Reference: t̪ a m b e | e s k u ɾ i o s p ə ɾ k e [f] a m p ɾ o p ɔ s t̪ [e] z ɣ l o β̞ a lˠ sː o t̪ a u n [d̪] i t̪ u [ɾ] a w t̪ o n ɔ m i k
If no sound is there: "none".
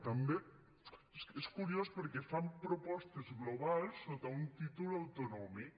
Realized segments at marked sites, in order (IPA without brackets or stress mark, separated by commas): f, e, t̪, l